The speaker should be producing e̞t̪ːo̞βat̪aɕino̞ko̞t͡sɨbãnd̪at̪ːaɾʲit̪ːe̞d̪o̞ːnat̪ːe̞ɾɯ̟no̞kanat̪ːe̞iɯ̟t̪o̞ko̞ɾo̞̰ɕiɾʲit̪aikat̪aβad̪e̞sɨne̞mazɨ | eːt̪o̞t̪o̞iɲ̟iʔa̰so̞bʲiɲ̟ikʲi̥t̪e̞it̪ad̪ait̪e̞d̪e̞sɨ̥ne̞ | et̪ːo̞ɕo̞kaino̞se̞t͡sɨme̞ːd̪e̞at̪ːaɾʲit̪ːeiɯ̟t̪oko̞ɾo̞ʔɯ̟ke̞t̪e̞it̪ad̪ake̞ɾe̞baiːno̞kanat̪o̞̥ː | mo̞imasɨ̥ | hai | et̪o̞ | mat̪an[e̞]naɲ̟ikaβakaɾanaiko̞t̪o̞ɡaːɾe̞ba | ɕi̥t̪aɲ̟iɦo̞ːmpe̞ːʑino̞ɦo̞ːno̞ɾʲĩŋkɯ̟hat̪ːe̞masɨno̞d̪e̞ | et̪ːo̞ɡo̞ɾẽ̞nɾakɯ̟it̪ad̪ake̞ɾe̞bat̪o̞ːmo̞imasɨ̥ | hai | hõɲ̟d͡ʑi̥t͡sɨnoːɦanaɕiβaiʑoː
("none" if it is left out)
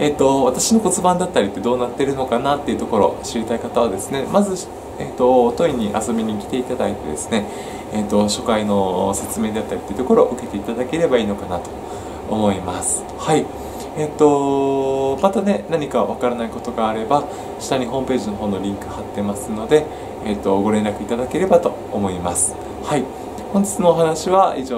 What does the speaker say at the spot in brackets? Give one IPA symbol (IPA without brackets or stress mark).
e̞